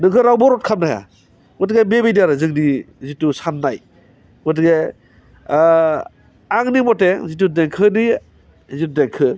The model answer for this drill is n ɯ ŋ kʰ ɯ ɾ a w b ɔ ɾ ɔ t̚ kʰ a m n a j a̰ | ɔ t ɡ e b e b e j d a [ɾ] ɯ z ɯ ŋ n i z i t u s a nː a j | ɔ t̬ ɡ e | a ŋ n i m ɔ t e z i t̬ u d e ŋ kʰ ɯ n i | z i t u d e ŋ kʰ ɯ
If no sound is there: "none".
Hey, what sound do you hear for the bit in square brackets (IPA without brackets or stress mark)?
ɾ